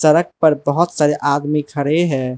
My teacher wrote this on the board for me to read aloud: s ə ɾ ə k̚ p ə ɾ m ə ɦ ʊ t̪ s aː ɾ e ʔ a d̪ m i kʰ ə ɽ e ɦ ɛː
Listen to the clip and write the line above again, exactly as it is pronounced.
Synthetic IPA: s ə ɾ ə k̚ p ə ɾ b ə ɦ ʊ t̪ s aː ɾ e ʔ a d̪ m i kʰ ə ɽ e ɦ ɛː

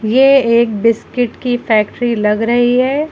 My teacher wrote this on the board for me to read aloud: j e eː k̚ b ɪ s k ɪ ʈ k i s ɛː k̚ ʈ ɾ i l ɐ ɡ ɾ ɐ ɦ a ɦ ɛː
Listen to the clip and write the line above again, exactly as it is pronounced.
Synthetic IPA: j e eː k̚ b ɪ s k ɪ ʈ k i f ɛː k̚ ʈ ɾ i l ɐ ɡ ɾ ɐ ɦ i ɦ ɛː

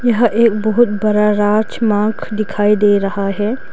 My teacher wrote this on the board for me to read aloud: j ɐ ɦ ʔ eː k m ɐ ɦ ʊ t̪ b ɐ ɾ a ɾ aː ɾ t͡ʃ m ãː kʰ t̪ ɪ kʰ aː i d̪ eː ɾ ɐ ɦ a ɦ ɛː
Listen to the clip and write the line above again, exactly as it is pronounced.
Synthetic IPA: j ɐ ɦ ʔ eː k b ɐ ɦ ʊ t̪ b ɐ ɾ a ɾ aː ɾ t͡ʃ m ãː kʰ d̪ ɪ kʰ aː i d̪ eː ɾ ɐ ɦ a ɦ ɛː

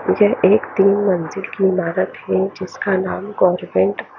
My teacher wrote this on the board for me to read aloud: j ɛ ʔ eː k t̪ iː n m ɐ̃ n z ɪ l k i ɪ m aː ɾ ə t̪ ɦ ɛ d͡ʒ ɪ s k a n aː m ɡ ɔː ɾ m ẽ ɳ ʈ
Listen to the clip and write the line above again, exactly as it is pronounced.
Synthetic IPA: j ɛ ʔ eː k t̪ iː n m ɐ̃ n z ɪ l k i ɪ m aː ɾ ə t̪ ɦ ɛ d͡ʒ ɪ s k a n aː m ɡ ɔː ɾ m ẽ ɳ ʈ

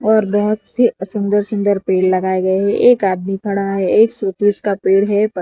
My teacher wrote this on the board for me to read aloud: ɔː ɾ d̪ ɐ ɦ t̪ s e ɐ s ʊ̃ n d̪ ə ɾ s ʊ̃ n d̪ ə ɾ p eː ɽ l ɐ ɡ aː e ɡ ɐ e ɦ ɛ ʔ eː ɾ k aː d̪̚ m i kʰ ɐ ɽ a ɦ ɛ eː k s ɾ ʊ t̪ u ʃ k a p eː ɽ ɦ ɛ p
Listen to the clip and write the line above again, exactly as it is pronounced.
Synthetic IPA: ɔː ɾ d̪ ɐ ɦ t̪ s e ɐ s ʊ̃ n d̪ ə ɾ s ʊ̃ n d̪ ə ɾ p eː ɽ l ɐ ɡ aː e ɡ ɐ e ɦ ɛ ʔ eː k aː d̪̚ m i kʰ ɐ ɽ a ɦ ɛ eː k s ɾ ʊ t̪ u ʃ k a p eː ɽ ɦ ɛ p

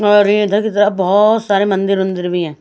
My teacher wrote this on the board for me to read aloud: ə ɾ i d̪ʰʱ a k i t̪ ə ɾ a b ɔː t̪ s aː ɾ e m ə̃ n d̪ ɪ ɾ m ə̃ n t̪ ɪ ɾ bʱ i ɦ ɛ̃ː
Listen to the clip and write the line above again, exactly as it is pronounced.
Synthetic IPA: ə ɾ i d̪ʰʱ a k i t̪ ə ɾ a b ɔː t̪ s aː ɾ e m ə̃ n d̪ ɪ ɾ m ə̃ n d̪ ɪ ɾ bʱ i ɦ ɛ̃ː

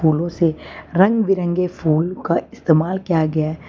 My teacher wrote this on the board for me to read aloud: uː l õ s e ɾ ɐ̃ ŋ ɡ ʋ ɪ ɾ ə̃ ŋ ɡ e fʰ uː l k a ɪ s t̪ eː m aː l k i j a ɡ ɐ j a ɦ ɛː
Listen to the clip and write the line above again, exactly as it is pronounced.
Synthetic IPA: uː l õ s e ɾ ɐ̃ ŋ ɡ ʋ ɪ ɾ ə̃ ŋ ɡ e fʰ uː l k a ɪ s t̪ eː m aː l k i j a ɡ ɐ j a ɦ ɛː

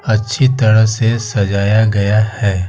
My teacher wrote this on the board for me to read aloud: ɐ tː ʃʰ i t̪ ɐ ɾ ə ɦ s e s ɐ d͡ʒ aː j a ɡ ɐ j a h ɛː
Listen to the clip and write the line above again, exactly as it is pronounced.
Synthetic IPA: ɐ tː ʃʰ i t̪ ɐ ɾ ə ɦ s e s ɐ d͡ʒ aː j a ɡ ɐ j a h ɛː

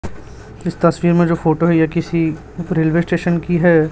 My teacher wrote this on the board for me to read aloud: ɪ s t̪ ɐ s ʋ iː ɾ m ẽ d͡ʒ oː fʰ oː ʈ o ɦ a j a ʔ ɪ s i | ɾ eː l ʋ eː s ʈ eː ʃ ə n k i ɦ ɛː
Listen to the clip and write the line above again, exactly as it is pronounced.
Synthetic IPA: ɪ s t̪ ɐ s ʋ iː ɾ m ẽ d͡ʒ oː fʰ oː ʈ o ɦ ɛ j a k ɪ s i | ɾ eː l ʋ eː s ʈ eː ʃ ə n k i ɦ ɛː

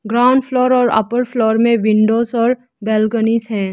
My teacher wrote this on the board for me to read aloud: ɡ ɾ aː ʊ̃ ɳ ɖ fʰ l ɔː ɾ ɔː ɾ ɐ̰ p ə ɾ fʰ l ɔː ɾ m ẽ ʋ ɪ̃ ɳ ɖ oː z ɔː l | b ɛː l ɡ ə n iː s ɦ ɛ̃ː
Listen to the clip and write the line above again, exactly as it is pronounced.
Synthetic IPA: ɡ ɾ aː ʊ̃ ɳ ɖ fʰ l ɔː ɾ ɔː ɾ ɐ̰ p ə ɾ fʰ l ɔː ɾ m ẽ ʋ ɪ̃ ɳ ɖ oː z ɔː ɾ | b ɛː l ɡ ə n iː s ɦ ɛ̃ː

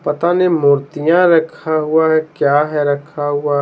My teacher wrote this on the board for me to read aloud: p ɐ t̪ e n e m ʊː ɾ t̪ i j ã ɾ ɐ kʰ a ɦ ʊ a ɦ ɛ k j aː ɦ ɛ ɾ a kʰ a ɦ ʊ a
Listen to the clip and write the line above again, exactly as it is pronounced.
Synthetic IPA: p ɐ t̪ a n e m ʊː ɾ t̪ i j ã ɾ ɐ kʰ a ɦ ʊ a ɦ ɛ k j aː ɦ ɛ ɾ ɐ kʰ a ɦ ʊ a

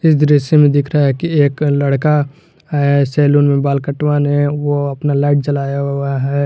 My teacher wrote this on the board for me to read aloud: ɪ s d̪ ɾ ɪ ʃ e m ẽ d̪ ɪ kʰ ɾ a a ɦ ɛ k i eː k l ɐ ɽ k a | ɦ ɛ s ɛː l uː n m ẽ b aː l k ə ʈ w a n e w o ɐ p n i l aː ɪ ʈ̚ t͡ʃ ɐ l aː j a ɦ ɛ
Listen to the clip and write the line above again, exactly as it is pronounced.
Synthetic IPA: ɪ s d̪ ɾ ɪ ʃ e m ẽ d̪ ɪ kʰ ɾ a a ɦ ɛ k i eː k l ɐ ɽ k a | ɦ ɛ s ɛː l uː n m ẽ b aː l k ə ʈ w a n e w o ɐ p n a l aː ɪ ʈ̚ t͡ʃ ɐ l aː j a ɦ ɛ

